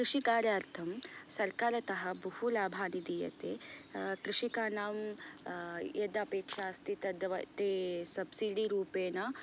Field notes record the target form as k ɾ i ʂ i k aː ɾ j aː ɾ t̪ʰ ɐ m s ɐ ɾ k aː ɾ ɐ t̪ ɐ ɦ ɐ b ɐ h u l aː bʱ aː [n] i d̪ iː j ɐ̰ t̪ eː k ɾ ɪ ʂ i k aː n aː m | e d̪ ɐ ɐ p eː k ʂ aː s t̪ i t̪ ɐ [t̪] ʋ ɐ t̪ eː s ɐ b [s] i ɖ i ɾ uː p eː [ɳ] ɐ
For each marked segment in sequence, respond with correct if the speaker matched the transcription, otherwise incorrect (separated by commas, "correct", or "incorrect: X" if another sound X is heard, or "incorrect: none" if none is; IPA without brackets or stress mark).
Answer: correct, incorrect: d̪, correct, incorrect: n